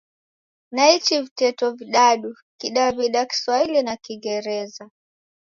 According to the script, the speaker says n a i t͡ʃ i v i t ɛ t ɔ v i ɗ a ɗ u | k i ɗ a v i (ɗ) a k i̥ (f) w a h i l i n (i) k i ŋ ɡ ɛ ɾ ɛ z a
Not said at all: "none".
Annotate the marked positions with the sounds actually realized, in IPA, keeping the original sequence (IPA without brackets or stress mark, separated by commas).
ɗ, s, a